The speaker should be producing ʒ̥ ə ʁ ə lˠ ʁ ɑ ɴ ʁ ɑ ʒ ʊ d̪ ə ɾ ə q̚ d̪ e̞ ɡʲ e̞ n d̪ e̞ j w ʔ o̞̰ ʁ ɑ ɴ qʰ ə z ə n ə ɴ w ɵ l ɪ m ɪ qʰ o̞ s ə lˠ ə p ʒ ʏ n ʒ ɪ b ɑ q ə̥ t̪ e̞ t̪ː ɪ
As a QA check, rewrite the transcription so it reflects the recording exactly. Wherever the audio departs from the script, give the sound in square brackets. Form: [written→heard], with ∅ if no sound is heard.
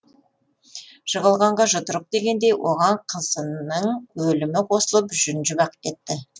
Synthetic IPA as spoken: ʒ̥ ə ʁ ə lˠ ʁ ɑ ɴ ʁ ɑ ʒ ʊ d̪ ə ɾ ə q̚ d̪ e̞ ɡʲ e̞ n d̪ e̞ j w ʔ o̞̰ ʁ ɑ ɴ qʰ ə z ə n ə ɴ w ɵ l ɪ m ɪ qʰ o̞ s ə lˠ ə p ʒ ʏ n ʒ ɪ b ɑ q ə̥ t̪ e̞ t̪ː ɪ